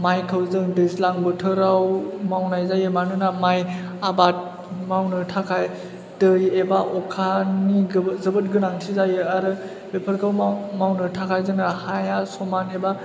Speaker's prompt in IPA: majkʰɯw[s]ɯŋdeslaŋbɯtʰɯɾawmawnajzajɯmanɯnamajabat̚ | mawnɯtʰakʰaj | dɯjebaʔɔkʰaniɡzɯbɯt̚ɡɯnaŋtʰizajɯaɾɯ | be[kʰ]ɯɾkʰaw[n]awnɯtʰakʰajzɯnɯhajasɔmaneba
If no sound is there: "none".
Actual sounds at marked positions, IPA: z, pʰ, m

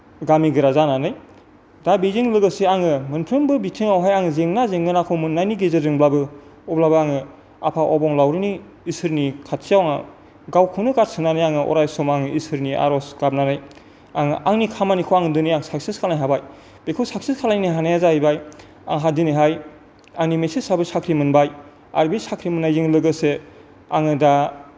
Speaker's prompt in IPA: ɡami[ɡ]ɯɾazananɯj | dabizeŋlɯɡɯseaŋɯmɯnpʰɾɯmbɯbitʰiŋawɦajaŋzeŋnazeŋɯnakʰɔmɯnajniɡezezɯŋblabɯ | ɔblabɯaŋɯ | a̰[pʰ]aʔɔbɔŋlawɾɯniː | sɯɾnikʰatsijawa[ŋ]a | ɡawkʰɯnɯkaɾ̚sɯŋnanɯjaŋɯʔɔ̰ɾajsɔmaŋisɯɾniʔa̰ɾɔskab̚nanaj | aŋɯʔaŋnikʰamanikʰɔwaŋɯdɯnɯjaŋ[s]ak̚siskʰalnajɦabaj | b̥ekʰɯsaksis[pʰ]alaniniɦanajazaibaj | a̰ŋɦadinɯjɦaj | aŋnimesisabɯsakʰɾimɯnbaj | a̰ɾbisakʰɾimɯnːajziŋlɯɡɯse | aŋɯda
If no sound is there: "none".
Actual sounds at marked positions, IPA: ɡ, pʰ, ŋ, s, kʰ

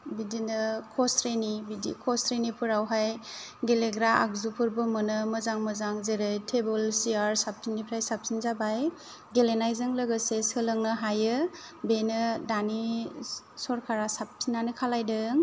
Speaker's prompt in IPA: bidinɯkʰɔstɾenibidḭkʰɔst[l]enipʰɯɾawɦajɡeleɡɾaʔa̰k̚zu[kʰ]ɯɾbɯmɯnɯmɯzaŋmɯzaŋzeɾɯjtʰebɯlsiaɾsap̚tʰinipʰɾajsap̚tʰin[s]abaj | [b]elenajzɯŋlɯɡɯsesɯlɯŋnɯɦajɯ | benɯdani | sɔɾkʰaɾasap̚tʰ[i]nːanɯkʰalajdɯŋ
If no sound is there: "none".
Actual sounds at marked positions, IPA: ɾ, pʰ, z, ɡ, i

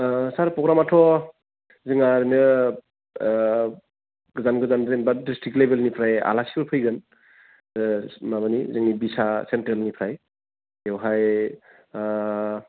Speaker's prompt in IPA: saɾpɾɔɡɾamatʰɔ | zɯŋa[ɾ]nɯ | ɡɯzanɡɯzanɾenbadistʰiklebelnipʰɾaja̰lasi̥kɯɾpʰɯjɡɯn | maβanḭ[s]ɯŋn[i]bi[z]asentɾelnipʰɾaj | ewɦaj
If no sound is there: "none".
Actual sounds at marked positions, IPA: ɾ, z, i, s

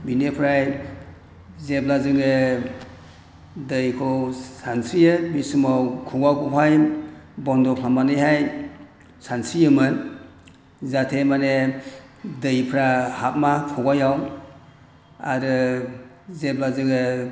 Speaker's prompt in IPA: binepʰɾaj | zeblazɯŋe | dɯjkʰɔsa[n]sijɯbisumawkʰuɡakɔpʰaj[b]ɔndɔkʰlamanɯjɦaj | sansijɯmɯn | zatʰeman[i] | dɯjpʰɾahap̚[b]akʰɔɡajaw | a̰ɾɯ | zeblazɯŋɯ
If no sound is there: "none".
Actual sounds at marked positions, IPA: n, b, e, m

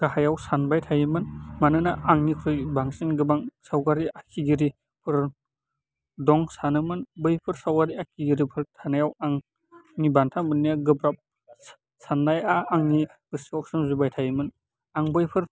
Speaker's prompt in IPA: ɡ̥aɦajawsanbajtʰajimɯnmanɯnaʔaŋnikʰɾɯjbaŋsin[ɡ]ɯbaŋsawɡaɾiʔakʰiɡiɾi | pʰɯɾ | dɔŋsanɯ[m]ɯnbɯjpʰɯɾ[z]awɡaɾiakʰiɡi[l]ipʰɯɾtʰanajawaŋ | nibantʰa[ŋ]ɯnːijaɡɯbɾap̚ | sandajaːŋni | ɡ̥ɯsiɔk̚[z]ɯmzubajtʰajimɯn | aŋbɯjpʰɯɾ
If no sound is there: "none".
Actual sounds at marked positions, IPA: ɡ, m, s, ɾ, m, s

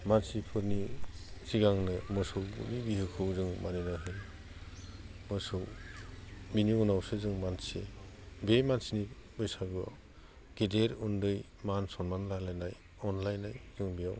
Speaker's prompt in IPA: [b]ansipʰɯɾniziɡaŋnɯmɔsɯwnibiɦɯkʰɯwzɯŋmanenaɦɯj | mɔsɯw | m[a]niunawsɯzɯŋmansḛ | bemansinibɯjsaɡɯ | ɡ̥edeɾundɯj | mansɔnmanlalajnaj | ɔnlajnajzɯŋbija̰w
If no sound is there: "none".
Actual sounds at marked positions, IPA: m, i

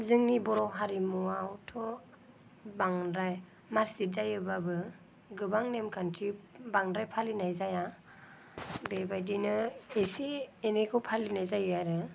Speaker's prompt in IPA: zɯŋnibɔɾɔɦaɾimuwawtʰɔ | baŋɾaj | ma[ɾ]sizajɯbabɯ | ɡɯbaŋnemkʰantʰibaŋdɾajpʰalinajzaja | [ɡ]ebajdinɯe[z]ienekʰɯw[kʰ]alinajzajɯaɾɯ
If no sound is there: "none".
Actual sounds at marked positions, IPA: ɾ, b, s, pʰ

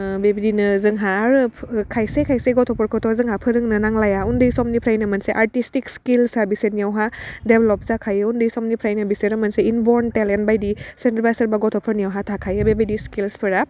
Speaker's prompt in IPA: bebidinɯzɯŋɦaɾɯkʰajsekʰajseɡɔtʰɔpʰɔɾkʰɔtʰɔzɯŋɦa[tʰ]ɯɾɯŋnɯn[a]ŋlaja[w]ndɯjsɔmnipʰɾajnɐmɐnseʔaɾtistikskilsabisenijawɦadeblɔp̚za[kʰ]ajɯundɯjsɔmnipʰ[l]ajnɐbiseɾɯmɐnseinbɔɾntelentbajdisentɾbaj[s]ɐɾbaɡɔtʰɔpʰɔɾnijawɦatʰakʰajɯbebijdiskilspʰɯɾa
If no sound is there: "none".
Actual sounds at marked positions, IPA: pʰ, a, u, kʰ, ɾ, s

